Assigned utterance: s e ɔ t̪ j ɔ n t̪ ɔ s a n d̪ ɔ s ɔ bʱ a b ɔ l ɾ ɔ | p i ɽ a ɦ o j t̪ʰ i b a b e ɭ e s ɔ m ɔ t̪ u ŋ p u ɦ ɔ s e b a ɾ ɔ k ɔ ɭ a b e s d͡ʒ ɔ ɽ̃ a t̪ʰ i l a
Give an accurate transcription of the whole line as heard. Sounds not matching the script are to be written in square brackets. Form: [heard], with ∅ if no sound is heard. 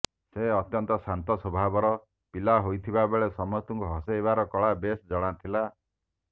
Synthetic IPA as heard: s e ɔ t̪ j ɔ n t̪ ɔ s a n [t̪] ɔ s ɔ bʱ a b ɔ [∅] ɾ ɔ | p i [l] a ɦ o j t̪ʰ i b a b e ɭ e s ɔ m ɔ t̪ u ŋ [k] u ɦ ɔ s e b a ɾ ɔ k ɔ ɭ a b e s d͡ʒ ɔ ɽ̃ a t̪ʰ i l a

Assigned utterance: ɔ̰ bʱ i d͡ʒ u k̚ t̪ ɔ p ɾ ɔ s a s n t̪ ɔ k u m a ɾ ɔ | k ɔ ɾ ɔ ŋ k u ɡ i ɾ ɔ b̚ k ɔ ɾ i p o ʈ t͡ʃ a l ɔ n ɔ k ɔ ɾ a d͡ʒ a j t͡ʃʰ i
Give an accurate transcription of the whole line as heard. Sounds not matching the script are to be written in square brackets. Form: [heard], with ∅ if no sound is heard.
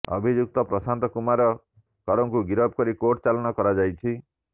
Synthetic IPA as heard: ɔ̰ bʱ i d͡ʒ u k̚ t̪ ɔ p ɾ ɔ s a [∅] n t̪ ɔ k u m a ɾ ɔ | k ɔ ɾ ɔ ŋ k u ɡ i ɾ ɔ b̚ k ɔ ɾ i [k] o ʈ t͡ʃ a l ɔ n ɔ k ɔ ɾ a d͡ʒ a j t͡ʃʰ i

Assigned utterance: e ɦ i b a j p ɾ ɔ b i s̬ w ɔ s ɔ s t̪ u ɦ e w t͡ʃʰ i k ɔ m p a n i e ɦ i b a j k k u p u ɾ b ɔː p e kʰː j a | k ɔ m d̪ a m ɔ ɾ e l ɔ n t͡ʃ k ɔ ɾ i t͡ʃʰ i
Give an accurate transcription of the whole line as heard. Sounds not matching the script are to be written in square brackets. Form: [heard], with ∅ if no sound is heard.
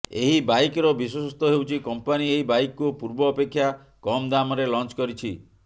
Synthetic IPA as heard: e ɦ i b a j [k] ɾ ɔ b i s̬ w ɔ s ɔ s t̪ [ɔ] ɦ e w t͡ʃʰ i k ɔ m p a n i e ɦ i b a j k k u p u ɾ b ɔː p e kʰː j a | k ɔ m d̪ a m ɔ ɾ e l ɔ n t͡ʃ k ɔ ɾ i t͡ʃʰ i

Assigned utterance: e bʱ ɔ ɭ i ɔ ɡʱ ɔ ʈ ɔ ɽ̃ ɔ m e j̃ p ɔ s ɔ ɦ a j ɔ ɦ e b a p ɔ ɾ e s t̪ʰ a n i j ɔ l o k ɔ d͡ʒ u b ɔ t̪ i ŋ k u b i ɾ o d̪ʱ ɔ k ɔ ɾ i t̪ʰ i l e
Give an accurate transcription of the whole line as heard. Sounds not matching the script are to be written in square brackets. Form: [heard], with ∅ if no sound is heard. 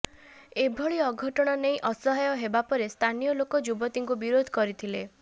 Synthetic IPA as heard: e bʱ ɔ ɭ i ɔ ɡʱ ɔ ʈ ɔ ɽ̃ ɔ [n] e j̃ [ʔ] ɔ s ɔ ɦ a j ɔ ɦ e b a p ɔ ɾ e s t̪ʰ a n i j ɔ l o k ɔ d͡ʒ u b ɔ t̪ i ŋ k u b i ɾ o d̪ʱ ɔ k ɔ ɾ i t̪ʰ i l e

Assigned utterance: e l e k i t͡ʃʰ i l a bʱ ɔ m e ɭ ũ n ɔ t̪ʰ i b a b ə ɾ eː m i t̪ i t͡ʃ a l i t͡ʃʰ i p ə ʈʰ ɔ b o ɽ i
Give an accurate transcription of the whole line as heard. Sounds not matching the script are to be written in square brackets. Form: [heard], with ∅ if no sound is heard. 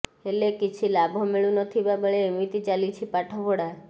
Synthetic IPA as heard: e l e k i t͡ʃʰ i l a bʱ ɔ m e ɭ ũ n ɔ t̪ʰ i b a b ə [ɭ] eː m i t̪ i t͡ʃ a l i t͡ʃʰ i p [a] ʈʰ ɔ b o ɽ [a]

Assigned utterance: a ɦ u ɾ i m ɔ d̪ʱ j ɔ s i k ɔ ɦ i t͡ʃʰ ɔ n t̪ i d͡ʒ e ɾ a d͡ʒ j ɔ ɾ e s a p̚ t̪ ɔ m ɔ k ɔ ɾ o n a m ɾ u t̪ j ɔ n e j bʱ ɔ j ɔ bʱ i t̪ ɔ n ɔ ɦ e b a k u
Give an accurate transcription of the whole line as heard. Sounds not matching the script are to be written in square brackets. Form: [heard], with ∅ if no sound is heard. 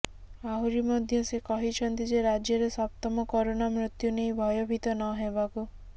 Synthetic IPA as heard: a ɦ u ɾ i m ɔ d̪ʱ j ɔ s [e] k ɔ ɦ i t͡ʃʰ ɔ n t̪ i d͡ʒ e ɾ a d͡ʒ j ɔ ɾ e s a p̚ t̪ ɔ m ɔ k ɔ ɾ o n a m ɾ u t̪ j [u] n e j bʱ ɔ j ɔ bʱ i t̪ ɔ n ɔ ɦ e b a k u

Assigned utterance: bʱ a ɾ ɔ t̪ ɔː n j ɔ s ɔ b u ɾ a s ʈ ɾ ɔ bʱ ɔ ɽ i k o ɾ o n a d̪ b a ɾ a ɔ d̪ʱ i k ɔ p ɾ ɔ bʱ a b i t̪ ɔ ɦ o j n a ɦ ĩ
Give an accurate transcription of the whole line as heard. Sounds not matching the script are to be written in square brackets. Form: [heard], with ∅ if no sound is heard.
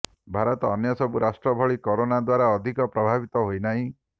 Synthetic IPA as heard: bʱ a ɾ ɔ t̪ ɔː n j ɔ s ɔ b u ɾ a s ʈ ɾ ɔ bʱ ɔ [ɭ] i k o ɾ o n a d̪ [w] a ɾ a ɔ d̪ʱ i k ɔ p ɾ ɔ bʱ a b i t̪ ɔ ɦ o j n a ɦ ĩ

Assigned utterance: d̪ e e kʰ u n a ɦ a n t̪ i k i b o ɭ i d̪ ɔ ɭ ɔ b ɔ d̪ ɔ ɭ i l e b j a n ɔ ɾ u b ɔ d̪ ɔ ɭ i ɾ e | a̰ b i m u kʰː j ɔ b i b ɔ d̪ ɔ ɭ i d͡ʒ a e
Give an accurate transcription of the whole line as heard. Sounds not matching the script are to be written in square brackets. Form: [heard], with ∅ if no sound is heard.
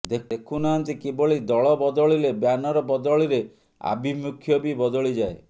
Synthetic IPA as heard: d̪ e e kʰ u n a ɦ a n t̪ i k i b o ɭ i d̪ ɔ ɭ ɔ b ɔ d̪ ɔ ɭ i l e b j a n ɔ ɾ [ɔ] b ɔ d̪ ɔ ɭ i ɾ e | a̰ b i m u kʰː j ɔ b i b ɔ d̪ ɔ ɭ i d͡ʒ a e

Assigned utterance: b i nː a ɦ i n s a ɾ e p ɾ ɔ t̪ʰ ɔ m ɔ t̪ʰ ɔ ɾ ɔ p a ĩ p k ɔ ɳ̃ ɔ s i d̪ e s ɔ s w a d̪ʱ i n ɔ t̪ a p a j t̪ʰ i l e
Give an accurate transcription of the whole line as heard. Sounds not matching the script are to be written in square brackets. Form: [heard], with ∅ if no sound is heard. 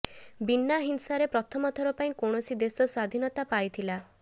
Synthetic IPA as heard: b i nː a ɦ i n s a ɾ e p ɾ ɔ t̪ʰ ɔ m ɔ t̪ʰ ɔ ɾ ɔ p a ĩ [∅] k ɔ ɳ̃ ɔ s i d̪ e s ɔ s w a d̪ʱ i n ɔ t̪ a p a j t̪ʰ i l [a]

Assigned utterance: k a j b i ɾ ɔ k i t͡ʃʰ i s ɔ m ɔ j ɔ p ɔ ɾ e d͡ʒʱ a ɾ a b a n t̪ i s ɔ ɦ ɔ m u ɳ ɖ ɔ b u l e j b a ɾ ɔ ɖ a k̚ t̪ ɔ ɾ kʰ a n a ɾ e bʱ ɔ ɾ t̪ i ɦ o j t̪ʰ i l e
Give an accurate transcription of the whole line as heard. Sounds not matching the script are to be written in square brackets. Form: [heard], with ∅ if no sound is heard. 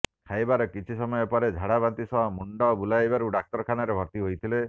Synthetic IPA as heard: [kʰ] a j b [a] ɾ ɔ k i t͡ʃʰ i s ɔ m ɔ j ɔ p ɔ ɾ e d͡ʒʱ a [ɽ] a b a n t̪ i s ɔ ɦ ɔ m u ɳ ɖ ɔ b u l [a] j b a ɾ [u] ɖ a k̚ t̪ ɔ ɾ kʰ a n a ɾ e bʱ ɔ ɾ t̪ i ɦ o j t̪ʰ i l e

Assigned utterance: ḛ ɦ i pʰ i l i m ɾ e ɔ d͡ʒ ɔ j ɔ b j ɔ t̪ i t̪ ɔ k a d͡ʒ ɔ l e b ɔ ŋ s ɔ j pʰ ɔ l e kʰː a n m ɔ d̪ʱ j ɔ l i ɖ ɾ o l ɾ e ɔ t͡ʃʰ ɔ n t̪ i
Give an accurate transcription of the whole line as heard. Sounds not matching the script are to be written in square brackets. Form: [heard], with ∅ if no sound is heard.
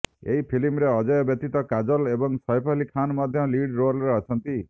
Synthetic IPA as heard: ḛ ɦ i pʰ i l i m ɾ e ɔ d͡ʒ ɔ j ɔ b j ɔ t̪ i t̪ ɔ k a d͡ʒ ɔ l e b ɔ ŋ s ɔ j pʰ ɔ l [i] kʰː a n m ɔ d̪ʱ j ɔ l i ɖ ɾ o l ɾ e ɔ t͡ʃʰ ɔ n t̪ i

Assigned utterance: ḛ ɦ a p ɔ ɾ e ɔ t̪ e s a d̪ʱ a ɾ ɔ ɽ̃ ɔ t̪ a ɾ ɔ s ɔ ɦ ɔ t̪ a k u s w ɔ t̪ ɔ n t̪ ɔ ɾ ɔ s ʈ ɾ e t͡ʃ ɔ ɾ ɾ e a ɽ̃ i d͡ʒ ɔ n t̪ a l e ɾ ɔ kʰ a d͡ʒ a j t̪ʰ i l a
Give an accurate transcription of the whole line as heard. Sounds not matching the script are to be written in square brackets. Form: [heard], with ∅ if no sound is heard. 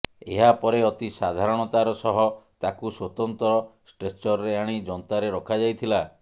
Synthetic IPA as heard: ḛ ɦ a p ɔ ɾ e ɔ t̪ [i] s a d̪ʱ a ɾ ɔ ɽ̃ ɔ t̪ a ɾ ɔ s ɔ ɦ ɔ t̪ a k u s w ɔ t̪ ɔ n t̪ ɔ ɾ ɔ s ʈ ɾ e t͡ʃ ɔ ɾ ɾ e a ɽ̃ i d͡ʒ ɔ n t̪ a [ɾ] e ɾ ɔ kʰ a d͡ʒ a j t̪ʰ i l a

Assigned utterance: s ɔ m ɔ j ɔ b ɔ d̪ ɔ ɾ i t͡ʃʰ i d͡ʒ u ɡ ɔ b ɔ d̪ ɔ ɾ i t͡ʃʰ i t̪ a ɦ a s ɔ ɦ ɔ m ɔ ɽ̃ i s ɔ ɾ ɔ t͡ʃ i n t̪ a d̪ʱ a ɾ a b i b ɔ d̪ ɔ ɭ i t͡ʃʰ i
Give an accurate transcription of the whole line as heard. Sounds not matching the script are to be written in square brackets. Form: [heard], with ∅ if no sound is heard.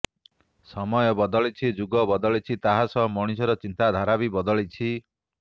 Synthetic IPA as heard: s ɔ m ɔ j ɔ b ɔ d̪ ɔ [ɭ] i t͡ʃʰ i d͡ʒ u ɡ ɔ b ɔ d̪ ɔ [ɭ] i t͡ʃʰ i t̪ a ɦ a s ɔ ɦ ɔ m ɔ ɽ̃ i s ɔ ɾ ɔ t͡ʃ i n t̪ a d̪ʱ a ɾ a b i b ɔ d̪ ɔ ɭ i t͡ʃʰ i

